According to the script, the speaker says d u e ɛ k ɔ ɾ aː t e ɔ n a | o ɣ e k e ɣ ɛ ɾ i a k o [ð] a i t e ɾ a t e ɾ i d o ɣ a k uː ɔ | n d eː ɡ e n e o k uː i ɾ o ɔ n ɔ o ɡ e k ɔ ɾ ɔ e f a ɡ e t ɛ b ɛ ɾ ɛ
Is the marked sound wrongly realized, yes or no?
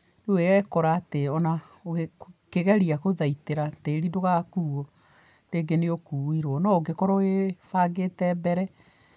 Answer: no